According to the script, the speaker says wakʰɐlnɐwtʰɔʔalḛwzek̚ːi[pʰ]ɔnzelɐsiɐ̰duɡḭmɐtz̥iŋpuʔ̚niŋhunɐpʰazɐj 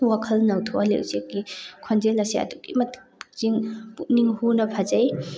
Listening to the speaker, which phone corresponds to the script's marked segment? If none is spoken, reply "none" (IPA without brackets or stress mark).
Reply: kʰ